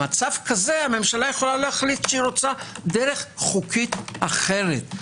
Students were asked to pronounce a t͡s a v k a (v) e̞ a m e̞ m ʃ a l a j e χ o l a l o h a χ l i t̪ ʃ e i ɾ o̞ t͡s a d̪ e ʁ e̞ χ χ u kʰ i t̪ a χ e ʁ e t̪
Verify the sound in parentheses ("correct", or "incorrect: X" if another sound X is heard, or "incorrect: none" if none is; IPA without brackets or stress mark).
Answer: incorrect: z